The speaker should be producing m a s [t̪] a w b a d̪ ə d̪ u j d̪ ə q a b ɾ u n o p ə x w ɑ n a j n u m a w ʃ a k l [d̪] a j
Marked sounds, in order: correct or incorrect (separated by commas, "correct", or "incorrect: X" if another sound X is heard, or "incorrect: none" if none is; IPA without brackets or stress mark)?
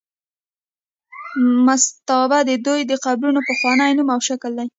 correct, correct